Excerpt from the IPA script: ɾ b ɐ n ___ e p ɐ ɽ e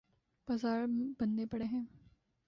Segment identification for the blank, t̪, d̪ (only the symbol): d̪